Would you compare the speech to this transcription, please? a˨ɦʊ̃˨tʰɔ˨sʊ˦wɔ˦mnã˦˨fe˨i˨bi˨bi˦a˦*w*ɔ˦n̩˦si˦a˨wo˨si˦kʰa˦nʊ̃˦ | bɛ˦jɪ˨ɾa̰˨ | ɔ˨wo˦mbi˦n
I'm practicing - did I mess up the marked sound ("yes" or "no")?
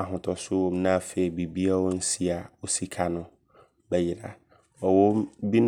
no